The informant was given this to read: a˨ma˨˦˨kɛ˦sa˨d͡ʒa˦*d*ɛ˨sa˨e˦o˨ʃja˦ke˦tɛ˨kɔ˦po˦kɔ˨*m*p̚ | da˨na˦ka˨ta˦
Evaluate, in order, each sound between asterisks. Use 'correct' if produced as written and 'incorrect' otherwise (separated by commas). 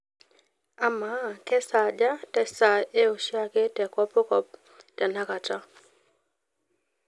incorrect, incorrect